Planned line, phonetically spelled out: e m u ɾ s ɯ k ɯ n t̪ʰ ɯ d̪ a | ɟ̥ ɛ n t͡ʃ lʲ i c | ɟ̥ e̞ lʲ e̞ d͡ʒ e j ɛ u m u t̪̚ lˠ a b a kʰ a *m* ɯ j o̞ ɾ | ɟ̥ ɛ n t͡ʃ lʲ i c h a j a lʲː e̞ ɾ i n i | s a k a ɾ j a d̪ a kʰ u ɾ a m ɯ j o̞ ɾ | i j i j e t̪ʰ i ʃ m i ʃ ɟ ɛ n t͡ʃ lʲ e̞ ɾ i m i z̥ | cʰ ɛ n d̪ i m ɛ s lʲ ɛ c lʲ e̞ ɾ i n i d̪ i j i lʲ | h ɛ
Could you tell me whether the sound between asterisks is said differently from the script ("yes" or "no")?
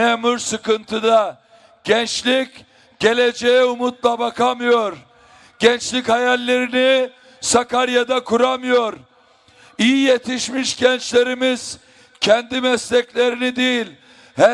no